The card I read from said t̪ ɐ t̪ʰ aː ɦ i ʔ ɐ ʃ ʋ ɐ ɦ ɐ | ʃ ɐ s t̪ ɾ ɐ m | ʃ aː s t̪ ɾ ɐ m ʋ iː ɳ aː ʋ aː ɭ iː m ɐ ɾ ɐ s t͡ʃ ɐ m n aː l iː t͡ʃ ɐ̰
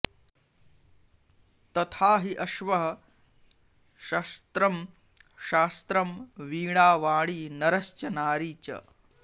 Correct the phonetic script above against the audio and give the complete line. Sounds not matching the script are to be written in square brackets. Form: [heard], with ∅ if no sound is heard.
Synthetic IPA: t̪ ɐ t̪ʰ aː ɦ i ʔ ɐ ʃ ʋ ɐ ɦ ɐ | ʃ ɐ s t̪ ɾ ɐ m | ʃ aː s t̪ ɾ ɐ m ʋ iː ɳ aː ʋ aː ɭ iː [n] ɐ ɾ ɐ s t͡ʃ ɐ [∅] n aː [ɾ] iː t͡ʃ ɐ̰